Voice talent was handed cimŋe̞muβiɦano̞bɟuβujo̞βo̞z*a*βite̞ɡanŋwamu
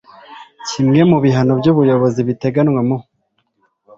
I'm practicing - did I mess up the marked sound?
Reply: yes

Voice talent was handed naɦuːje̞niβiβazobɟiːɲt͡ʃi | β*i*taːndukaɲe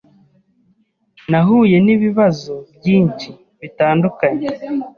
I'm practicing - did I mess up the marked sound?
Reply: no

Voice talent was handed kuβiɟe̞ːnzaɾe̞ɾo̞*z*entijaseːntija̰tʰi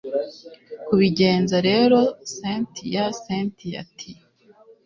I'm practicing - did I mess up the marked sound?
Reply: yes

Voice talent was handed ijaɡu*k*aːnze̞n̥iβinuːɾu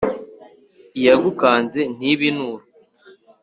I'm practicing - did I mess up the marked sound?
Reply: no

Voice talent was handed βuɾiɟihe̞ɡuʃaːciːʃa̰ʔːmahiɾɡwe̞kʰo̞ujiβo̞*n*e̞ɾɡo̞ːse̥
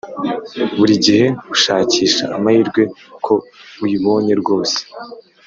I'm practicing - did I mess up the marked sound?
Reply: yes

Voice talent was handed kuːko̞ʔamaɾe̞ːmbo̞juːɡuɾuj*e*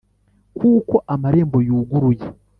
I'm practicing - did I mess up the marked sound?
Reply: no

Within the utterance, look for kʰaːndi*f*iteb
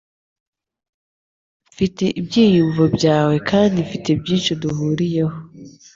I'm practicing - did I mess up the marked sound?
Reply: no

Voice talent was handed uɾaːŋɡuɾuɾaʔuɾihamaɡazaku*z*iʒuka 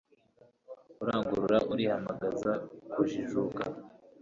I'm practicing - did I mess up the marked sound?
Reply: yes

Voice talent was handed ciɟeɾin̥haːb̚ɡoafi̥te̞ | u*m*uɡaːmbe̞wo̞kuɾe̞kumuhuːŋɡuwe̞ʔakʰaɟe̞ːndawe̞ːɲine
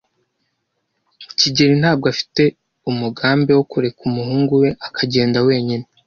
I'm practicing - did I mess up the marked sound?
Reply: no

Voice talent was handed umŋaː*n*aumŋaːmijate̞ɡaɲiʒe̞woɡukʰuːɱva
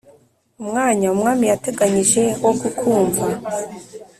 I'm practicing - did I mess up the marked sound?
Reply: yes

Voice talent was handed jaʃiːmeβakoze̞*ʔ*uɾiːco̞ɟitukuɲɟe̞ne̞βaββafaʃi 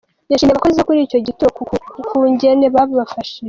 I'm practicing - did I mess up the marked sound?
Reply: yes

